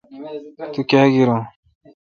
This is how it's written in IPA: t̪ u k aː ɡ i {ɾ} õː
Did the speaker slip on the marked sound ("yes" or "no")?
no